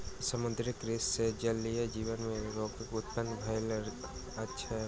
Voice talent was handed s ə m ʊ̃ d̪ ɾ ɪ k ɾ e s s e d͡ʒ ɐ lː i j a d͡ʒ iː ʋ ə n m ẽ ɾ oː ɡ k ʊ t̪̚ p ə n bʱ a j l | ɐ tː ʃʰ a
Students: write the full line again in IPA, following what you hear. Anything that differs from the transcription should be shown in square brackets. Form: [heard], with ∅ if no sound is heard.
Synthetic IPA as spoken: s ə m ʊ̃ d̪ ɾ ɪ k ɾ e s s e d͡ʒ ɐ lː i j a d͡ʒ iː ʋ ə n m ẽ ɾ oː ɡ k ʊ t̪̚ p ə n bʱ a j l | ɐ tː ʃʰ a